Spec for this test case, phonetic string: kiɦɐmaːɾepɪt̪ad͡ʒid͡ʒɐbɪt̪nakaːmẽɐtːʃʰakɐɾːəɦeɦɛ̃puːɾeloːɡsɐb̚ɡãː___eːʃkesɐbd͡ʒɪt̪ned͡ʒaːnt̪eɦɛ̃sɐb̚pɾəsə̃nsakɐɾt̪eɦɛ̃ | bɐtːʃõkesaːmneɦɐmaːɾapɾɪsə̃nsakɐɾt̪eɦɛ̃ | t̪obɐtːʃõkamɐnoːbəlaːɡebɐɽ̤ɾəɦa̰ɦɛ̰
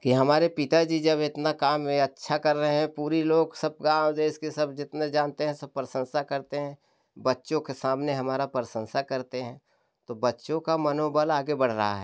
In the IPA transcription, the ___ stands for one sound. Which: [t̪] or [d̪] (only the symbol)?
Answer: d̪